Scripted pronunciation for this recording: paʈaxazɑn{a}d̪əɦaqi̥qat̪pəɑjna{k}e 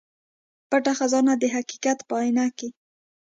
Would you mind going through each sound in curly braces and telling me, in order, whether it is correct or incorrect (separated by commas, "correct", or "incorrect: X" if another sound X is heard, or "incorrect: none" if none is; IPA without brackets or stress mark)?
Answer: correct, correct